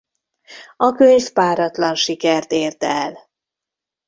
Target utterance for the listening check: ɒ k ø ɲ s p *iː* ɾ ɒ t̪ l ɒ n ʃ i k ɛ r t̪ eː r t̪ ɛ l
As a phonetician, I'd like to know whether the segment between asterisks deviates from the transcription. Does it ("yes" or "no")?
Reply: yes